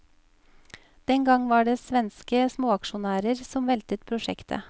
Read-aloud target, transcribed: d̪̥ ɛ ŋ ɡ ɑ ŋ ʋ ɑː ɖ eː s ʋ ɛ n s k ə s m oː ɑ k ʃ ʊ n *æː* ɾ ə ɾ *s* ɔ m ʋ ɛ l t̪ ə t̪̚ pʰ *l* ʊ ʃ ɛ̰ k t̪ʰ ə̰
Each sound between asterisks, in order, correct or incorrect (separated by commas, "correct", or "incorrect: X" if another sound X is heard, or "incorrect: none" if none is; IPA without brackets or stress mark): correct, correct, incorrect: ɾ